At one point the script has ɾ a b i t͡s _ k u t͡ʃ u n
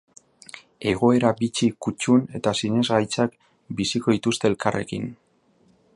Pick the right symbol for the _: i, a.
i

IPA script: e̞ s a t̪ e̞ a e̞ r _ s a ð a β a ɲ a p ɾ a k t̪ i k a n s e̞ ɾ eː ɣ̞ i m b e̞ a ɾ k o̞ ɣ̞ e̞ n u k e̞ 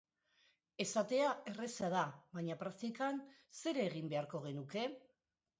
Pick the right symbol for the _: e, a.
e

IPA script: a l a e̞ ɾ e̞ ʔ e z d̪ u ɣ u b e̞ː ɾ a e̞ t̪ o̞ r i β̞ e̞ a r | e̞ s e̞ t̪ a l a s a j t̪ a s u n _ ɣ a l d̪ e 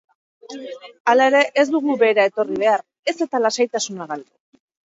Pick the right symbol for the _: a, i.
a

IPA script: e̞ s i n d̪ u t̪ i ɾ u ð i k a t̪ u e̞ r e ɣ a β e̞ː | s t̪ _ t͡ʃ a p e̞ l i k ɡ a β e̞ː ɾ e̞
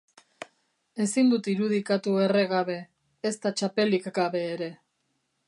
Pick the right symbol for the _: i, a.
a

